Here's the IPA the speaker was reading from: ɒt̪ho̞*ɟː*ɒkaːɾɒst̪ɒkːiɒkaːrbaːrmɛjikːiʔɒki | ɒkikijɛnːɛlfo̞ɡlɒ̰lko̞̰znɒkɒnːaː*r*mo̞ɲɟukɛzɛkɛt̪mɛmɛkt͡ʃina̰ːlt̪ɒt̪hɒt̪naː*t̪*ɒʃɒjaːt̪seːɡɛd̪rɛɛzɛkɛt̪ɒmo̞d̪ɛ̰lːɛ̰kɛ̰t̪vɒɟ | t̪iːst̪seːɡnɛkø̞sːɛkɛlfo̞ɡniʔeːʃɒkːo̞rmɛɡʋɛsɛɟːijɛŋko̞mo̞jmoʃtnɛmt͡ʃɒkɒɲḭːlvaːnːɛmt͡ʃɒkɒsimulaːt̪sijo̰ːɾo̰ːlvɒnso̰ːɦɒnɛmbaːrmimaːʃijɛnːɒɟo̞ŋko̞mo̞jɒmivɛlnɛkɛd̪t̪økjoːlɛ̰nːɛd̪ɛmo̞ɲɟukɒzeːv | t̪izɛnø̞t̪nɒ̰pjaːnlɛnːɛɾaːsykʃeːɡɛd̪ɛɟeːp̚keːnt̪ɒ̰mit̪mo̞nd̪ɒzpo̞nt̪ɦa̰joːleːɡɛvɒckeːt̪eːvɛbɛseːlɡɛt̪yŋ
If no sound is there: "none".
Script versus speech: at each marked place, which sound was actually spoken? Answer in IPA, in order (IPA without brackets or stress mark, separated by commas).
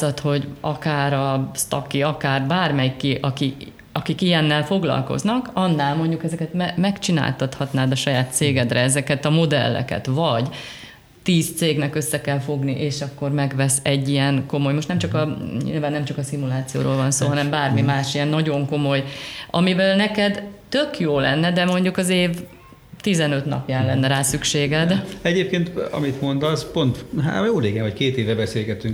ɟ, l, d̪